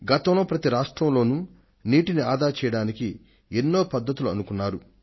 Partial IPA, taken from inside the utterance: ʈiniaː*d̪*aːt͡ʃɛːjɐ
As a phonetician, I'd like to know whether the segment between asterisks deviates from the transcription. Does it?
no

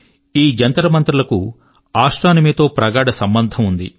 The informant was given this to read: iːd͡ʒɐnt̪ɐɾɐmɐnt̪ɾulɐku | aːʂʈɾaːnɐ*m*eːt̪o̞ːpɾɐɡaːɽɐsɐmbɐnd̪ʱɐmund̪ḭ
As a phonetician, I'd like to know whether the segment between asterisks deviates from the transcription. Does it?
no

